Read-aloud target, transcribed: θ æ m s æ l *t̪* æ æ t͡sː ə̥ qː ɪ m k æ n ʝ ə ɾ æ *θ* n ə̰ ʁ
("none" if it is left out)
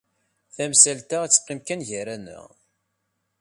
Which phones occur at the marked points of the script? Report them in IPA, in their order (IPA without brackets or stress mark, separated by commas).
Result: t̪, none